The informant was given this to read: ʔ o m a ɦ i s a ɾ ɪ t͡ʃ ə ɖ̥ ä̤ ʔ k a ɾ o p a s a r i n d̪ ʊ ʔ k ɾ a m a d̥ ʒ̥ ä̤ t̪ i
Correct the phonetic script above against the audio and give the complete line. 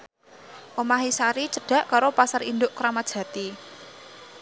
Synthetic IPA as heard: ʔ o m a ɦ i s a ɾ i t͡ʃ ə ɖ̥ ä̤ ʔ k a ɾ o p a s a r i n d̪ ʊ ʔ k ɾ a m a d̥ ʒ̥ ä̤ t̪ i